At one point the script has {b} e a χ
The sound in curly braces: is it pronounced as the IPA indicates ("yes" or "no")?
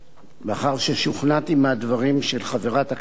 yes